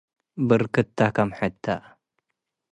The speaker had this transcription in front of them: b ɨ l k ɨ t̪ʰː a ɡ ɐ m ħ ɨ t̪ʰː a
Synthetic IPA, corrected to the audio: b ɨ ɾ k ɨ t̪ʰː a k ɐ m ħ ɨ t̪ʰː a